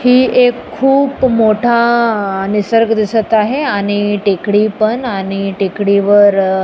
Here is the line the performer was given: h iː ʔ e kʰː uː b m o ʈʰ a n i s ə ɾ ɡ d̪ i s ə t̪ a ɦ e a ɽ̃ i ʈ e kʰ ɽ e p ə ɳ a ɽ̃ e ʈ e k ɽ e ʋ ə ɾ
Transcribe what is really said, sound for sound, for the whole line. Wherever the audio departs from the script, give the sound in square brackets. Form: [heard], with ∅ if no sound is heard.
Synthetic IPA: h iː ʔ e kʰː uː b m o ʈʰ a n i s ə ɾ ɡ d̪ i s ə t̪ a ɦ e a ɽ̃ i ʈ e [k] ɽ [i] p ə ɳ a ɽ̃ [i] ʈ e k ɽ [i] ʋ ə ɾ